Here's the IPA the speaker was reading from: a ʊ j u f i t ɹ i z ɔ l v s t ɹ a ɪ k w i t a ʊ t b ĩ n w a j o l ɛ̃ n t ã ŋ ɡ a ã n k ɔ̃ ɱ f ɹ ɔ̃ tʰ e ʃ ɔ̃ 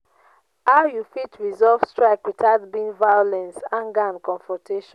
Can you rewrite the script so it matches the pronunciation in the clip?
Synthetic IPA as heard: a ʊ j u f i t ɹ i z ɔ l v s t ɹ a ɪ k w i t a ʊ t b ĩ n v a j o l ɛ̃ n s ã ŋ ɡ a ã n k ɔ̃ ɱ f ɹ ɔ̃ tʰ e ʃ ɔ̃